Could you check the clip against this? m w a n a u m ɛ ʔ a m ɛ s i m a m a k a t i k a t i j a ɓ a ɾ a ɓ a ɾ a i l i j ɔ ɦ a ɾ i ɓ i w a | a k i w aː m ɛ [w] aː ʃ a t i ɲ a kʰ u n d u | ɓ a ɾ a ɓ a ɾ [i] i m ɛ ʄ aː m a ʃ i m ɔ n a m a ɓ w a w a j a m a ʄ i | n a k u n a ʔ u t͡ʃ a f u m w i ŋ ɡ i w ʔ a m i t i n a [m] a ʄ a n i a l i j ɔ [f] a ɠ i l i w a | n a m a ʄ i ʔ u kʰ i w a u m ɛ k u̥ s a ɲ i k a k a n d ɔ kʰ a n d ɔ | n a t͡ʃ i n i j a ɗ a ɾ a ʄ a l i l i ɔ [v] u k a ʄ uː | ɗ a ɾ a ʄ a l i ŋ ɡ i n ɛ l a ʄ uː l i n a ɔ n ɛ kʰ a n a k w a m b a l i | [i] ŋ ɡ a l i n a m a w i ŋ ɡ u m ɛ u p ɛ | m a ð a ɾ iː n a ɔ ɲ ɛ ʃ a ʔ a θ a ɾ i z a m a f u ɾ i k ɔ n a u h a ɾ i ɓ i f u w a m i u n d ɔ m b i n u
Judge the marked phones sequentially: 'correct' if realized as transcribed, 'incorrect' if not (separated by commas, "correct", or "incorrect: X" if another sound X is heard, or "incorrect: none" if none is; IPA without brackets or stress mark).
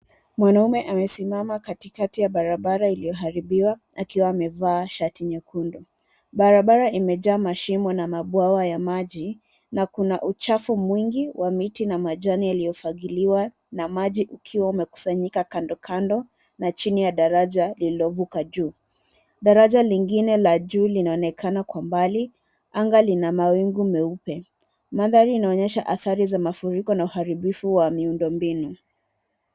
incorrect: v, incorrect: a, correct, correct, correct, incorrect: a